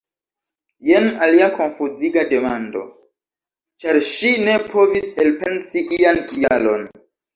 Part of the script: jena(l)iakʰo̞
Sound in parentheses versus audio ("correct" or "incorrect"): correct